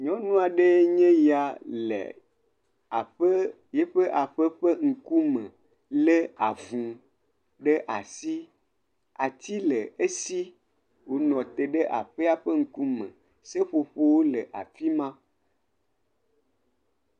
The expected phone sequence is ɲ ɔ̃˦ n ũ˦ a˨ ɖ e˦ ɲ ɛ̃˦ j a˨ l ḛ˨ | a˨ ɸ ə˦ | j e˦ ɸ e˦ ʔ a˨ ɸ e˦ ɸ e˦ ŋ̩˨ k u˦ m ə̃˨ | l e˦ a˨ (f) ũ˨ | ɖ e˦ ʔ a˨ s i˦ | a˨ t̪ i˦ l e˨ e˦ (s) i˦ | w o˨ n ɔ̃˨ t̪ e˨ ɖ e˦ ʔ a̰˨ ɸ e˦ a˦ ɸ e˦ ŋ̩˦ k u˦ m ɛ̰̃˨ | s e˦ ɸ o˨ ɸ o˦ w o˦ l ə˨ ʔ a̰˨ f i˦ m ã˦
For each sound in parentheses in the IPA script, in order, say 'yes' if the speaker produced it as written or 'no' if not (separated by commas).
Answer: no, yes